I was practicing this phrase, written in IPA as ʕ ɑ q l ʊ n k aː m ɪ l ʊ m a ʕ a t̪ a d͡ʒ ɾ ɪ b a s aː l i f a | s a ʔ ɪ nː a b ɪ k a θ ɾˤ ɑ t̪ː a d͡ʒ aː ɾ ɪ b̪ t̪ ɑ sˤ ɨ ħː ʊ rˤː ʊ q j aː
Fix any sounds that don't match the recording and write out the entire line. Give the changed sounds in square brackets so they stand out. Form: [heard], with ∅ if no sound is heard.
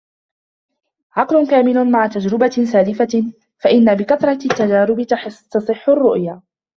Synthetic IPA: ʕ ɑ q l ʊ n k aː m ɪ l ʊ m a ʕ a t̪ a d͡ʒ ɾ ɪ b a s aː l [ɪ] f a | [f] a ʔ ɪ nː a b ɪ k a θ ɾˤ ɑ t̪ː a d͡ʒ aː ɾ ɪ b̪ t̪ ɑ sˤ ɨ ħː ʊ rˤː ʊ [ʔ] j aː

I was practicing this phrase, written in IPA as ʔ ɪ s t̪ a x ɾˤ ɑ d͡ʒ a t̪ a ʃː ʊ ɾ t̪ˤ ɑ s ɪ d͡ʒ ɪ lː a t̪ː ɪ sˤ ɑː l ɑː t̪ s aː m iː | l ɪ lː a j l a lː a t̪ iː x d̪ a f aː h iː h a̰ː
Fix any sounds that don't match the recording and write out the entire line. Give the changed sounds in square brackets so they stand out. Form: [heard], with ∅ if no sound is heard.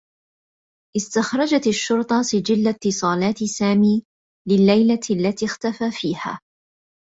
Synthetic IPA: ʔ ɪ s t̪ a x ɾˤ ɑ d͡ʒ a t̪ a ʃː ʊ ɾ t̪ˤ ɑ s ɪ d͡ʒ ɪ lː a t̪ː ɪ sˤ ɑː l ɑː t̪ s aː m iː | l ɪ lː a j l a lː a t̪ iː x [t̪] a f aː [f] iː h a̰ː

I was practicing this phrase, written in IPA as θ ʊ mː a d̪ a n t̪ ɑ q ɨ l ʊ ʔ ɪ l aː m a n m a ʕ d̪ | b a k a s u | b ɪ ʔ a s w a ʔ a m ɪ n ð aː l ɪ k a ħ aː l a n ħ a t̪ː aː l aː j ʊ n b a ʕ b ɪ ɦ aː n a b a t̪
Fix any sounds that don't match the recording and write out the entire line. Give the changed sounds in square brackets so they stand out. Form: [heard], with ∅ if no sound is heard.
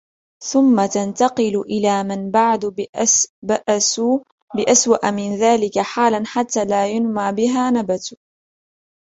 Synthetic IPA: θ ʊ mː a [t̪] a n t̪ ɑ q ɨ l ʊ ʔ ɪ l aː m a n [b] a ʕ d̪ | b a [ʔ] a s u | b ɪ ʔ a s w a ʔ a m ɪ n ð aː l ɪ k a ħ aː l a n ħ a t̪ː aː l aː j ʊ n [m] a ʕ b ɪ ɦ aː n a b a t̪

